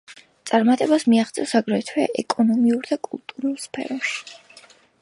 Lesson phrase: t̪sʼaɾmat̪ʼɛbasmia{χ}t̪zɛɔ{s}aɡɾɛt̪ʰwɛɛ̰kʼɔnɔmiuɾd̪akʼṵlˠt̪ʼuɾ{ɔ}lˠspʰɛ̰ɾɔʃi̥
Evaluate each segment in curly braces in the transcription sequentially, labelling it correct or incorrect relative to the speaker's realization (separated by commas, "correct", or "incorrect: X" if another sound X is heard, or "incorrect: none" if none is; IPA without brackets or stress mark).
correct, correct, incorrect: u